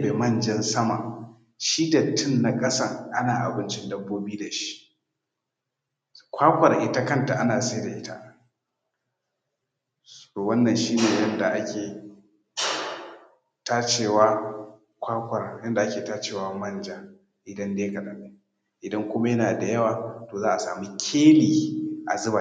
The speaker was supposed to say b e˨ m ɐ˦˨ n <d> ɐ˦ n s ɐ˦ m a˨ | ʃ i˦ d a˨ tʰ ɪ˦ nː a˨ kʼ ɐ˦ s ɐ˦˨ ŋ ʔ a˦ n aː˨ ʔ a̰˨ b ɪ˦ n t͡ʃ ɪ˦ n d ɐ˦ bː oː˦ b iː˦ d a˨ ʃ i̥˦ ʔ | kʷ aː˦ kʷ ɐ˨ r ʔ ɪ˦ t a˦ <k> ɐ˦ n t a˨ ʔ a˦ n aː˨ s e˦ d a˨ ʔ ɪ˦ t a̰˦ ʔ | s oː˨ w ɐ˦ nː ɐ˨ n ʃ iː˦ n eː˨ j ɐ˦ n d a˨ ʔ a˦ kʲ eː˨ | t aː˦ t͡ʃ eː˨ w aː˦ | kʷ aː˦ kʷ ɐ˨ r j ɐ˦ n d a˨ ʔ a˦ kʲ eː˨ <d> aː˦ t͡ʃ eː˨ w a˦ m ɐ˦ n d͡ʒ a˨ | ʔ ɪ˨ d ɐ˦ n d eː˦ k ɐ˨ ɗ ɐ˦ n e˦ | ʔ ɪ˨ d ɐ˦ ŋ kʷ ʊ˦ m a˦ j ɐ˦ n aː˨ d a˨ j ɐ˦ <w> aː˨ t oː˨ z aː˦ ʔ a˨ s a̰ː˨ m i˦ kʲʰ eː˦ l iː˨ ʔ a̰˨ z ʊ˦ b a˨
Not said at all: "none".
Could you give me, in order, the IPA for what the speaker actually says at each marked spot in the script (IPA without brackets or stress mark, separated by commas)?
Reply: d͡ʒ, k, t, w